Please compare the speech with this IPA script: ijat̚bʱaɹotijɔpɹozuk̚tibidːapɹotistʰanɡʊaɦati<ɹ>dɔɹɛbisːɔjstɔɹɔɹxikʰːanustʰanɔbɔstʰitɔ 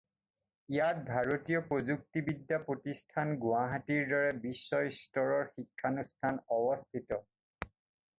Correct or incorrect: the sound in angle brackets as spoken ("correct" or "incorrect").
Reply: correct